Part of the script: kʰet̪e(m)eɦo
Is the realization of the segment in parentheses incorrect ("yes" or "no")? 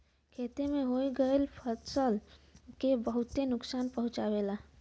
no